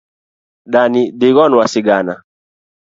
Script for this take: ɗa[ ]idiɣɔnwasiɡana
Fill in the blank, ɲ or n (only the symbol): n